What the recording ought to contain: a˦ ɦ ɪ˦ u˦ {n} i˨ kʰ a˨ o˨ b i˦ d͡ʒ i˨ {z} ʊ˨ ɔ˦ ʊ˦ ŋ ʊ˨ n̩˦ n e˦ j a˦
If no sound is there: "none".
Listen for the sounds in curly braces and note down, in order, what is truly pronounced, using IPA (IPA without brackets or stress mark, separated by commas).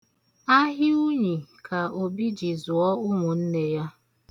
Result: ɲ, z